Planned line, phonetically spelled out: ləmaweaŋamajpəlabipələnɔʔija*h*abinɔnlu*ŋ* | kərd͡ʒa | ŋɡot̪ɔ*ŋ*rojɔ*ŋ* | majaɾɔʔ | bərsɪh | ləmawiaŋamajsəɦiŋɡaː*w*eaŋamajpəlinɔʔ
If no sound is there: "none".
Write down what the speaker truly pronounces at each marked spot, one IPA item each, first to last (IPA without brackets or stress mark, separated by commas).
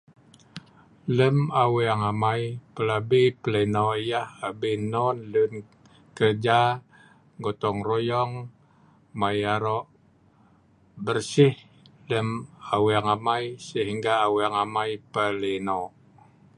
h, n, ŋ, ŋ, w